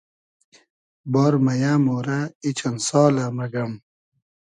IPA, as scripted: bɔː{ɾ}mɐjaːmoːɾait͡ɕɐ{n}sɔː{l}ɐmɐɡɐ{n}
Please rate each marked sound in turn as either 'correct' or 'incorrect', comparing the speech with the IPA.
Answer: correct, correct, correct, incorrect

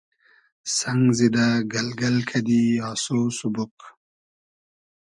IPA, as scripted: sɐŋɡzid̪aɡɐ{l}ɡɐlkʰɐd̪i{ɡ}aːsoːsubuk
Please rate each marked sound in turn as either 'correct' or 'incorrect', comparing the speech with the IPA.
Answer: correct, incorrect

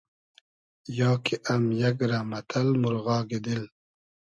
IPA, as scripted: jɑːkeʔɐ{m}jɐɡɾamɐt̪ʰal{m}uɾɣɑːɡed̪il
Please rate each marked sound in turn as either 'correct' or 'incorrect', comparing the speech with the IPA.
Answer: correct, correct

